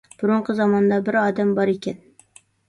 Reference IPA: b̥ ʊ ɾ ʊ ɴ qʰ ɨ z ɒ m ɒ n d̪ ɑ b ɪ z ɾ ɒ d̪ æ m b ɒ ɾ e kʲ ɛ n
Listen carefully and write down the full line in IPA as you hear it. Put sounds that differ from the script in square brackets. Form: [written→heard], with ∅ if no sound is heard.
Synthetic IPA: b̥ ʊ ɾ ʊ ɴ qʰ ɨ z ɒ m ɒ n d̪ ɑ b ɪ [z→∅] ɾ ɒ d̪ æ m b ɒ ɾ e kʲ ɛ n